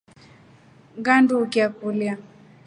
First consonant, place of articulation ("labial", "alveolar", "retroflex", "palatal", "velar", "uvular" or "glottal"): velar